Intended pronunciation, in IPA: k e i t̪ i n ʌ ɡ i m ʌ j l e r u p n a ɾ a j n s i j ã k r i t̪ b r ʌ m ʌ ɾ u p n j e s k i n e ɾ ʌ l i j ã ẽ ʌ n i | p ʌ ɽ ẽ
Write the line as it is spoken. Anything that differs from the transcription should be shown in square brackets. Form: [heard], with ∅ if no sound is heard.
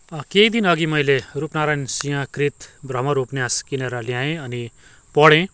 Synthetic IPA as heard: k e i [d̪] i n ʌ ɡ i m ʌ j l e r u p n a ɾ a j n s i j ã k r i t̪ b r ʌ m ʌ ɾ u p n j [a] s k i n e ɾ ʌ l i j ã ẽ ʌ n i | p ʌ ɽ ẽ